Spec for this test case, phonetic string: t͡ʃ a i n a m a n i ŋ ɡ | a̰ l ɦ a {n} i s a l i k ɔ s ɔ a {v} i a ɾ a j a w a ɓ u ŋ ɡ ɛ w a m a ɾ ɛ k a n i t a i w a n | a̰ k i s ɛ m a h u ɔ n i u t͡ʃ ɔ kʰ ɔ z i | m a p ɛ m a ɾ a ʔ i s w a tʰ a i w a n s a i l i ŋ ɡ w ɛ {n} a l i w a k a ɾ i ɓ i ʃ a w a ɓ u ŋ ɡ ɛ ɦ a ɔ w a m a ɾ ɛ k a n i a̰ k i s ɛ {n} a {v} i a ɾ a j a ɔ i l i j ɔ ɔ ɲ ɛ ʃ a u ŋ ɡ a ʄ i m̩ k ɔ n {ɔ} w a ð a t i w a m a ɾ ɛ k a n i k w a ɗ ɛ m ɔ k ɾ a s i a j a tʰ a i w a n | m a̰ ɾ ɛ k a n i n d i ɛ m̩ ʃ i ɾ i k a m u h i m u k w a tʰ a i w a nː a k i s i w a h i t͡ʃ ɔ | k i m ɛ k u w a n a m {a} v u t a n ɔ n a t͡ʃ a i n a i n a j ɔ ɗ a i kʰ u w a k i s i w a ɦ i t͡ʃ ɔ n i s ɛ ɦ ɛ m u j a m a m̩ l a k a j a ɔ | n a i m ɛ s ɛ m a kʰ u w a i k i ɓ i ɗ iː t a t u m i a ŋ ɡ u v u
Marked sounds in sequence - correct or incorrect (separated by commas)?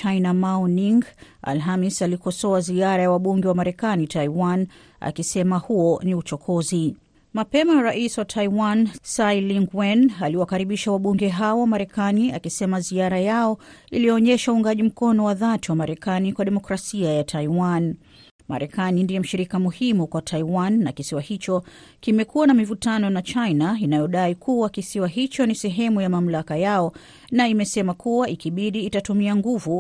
incorrect, incorrect, correct, incorrect, incorrect, correct, incorrect